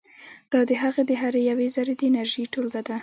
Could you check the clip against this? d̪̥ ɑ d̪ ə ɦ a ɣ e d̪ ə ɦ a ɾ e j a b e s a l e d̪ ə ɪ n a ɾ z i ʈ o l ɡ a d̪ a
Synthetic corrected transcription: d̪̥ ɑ d̪ ə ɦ a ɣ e d̪ ə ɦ a ɾ e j a w e z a ɾ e d̪ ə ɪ n a ɾ ʒ i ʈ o l ɡ a d̪ a

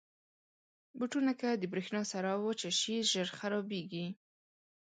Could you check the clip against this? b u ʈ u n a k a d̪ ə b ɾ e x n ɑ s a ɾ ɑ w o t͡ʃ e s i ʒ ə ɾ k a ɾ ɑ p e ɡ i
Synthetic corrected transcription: b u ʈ u n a k a d̪ ə b ɾ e x n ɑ s a ɾ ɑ w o t͡ʃ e ʃ i ʒ ə ɾ x a ɾ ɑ b e ɡ i

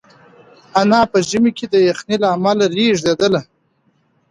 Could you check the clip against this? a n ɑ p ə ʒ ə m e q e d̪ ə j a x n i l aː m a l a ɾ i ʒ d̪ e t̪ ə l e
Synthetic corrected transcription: a n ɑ p ə ʒ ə m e k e d̪ ə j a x n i l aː m a l a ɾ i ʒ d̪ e d̪ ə l a

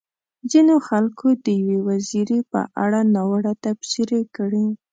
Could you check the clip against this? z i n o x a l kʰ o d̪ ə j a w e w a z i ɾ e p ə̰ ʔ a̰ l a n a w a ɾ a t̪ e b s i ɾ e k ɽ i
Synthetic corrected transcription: z i n o x a l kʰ o d̪ ə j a w e w a z i ɾ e p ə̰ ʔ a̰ ɽ a n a w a ɽ a t̪ a b s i ɾ e k ɽ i

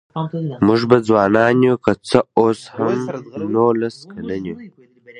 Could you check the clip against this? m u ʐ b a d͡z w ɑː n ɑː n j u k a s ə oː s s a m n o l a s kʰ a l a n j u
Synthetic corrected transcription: m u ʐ b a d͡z w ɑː n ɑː n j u k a t͡s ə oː s h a m n o l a s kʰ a l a n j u

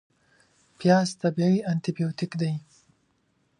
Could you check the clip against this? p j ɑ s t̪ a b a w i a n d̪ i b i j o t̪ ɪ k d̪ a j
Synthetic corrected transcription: p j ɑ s t̪ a b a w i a n t̪ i b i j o t̪ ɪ k d̪ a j

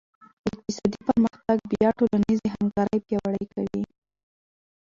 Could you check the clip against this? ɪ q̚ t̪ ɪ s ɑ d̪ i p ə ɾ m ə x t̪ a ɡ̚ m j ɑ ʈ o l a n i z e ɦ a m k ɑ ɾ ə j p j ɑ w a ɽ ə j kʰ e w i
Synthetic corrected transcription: ɪ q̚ t̪ ɪ s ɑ d̪ i p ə ɾ m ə x t̪ a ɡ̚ b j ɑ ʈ o l a n i z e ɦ a m k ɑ ɾ ə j p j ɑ w a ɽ ə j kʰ a w i

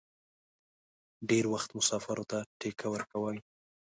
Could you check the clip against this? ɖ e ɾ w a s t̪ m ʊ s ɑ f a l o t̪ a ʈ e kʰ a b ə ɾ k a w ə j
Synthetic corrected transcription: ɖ e ɾ w a x t̪ m ʊ s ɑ f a ɾ o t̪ a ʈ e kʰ a w ə ɾ k a w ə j

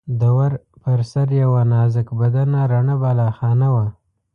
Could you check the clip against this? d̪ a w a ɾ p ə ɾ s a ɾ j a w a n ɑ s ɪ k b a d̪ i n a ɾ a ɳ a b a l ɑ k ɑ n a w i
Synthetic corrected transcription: d̪ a w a ɾ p ə ɾ s a ɾ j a w a n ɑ z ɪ k b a d̪ a n a ɾ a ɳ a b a l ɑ x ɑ n a w a

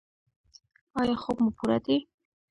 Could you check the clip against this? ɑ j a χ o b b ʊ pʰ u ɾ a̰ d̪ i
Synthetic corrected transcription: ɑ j ɑ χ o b m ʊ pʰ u ɾ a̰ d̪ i

